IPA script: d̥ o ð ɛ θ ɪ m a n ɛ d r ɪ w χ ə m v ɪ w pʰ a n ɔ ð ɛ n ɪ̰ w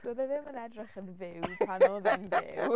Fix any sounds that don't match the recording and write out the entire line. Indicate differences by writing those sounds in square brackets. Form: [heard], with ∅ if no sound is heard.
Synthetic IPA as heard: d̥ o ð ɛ [ð] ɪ m [ə] n ɛ d r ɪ [∅] χ ə [n] v ɪ w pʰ a n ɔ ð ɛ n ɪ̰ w